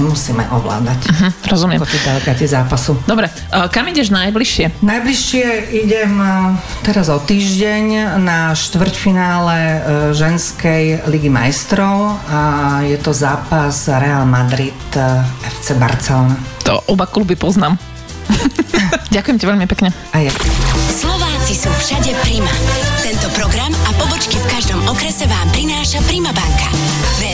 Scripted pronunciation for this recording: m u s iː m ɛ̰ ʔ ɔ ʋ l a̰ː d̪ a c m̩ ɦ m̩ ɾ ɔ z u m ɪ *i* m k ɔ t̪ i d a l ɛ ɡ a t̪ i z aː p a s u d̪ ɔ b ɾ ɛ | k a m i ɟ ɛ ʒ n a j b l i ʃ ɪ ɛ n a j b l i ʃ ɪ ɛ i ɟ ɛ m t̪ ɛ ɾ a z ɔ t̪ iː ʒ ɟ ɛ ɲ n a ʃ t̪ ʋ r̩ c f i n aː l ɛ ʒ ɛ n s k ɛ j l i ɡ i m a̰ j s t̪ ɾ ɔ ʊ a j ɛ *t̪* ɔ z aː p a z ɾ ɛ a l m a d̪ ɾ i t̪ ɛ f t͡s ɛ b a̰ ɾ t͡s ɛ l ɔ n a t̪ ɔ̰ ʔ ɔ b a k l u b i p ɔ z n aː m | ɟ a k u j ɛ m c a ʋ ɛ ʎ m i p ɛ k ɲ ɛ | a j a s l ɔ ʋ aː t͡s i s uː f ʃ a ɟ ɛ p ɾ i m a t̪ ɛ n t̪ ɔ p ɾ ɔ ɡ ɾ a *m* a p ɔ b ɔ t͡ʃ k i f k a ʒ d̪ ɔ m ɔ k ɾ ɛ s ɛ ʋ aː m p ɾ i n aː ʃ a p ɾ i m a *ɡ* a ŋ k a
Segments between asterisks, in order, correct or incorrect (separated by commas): incorrect, correct, correct, incorrect